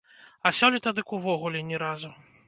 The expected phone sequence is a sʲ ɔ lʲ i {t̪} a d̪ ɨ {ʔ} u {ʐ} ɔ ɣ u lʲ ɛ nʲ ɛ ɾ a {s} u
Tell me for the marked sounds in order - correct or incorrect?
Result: correct, incorrect, incorrect, incorrect

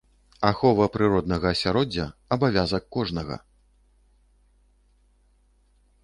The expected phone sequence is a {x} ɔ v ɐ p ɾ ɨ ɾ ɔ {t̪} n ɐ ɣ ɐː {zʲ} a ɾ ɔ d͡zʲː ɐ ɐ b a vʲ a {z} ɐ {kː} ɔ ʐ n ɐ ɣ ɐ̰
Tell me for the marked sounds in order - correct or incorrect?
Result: correct, incorrect, incorrect, correct, correct

